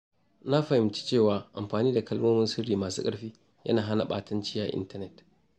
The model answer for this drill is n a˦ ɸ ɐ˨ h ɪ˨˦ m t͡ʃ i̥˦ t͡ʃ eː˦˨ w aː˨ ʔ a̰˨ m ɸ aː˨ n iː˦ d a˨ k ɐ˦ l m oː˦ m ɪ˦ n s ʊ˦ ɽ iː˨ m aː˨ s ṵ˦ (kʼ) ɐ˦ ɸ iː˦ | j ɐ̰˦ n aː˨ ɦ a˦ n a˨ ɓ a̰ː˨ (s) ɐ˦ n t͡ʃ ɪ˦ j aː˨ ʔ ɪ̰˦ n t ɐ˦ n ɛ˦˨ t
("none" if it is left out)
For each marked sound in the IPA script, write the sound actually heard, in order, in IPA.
kʼ, t

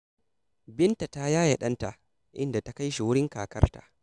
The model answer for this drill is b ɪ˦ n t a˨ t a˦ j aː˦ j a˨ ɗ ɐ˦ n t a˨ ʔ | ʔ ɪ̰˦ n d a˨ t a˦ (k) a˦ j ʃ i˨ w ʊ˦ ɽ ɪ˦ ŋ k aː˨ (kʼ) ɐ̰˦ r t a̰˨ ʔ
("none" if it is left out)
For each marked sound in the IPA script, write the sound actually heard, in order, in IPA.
k, k

